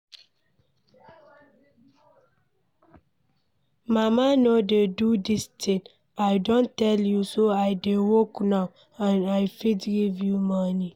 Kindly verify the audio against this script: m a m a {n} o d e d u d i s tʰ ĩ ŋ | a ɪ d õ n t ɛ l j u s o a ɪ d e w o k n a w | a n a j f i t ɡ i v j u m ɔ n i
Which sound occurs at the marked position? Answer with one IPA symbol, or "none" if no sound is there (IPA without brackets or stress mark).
n